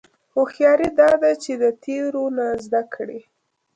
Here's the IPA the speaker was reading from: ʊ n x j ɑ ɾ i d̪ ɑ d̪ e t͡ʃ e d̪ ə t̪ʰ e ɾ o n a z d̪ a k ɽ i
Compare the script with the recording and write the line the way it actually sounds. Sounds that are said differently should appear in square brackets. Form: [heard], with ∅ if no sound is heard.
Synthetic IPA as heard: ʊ [∅] x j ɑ ɾ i d̪ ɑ d̪ [a] t͡ʃ e d̪ ə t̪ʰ e ɾ o n a z d̪ a k ɽ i